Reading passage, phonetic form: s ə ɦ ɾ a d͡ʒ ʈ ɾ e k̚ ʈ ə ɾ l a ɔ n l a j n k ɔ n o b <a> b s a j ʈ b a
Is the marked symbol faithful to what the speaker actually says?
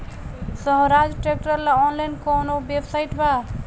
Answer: no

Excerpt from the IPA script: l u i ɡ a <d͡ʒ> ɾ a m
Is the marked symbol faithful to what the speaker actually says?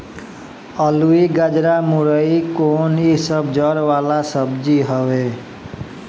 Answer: yes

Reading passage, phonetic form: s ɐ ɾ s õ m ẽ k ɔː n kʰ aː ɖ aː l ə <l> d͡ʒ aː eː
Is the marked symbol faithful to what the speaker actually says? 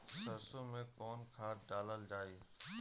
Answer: yes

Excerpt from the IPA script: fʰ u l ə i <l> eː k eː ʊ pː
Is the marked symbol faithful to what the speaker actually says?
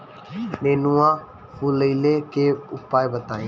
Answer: yes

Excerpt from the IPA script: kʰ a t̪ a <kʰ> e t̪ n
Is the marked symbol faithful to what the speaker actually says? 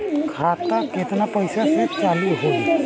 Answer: no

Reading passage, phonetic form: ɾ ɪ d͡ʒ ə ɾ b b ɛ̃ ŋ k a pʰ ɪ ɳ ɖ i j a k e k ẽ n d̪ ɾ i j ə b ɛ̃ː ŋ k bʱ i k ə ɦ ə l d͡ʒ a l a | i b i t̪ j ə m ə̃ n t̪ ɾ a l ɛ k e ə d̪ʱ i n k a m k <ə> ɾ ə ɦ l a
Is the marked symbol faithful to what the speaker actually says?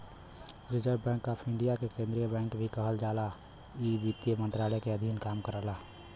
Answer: yes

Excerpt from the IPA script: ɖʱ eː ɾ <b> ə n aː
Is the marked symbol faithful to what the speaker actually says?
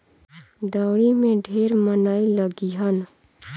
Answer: no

